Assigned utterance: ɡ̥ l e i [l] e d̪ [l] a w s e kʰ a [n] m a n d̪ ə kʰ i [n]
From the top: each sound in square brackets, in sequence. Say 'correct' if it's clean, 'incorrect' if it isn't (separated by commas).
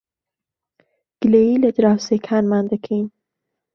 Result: correct, incorrect, correct, correct